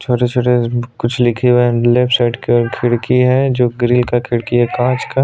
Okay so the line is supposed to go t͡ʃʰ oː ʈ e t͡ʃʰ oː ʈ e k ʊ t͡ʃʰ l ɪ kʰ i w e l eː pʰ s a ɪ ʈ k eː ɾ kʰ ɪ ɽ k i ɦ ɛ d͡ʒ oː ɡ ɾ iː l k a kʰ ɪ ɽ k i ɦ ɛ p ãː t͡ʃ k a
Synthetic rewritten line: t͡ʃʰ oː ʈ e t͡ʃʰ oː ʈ e k ʊ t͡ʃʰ l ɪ kʰ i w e l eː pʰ s a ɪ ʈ k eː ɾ kʰ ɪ ɽ k i ɦ ɛ d͡ʒ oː ɡ ɾ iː l k a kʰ ɪ ɽ k i ɦ ɛ k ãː t͡ʃ k a

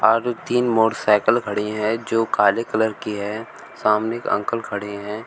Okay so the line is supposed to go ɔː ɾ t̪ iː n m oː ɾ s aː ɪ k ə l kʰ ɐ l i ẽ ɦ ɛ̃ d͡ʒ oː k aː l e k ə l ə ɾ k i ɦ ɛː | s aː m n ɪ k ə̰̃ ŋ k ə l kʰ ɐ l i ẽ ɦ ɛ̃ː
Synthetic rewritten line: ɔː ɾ t̪ iː n m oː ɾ s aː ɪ k ə l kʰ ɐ ɽ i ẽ ɦ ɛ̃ d͡ʒ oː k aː l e k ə l ə ɾ k i ɦ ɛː | s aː m n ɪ k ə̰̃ ŋ k ə l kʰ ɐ ɽ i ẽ ɦ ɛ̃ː

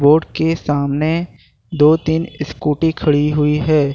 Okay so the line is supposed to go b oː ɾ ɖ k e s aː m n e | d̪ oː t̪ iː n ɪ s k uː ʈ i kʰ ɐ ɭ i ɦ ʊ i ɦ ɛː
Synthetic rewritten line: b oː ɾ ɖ k e s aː m n e | d̪ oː t̪ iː n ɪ s k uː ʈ i kʰ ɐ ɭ i ɦ ʊ i ɦ ɛː

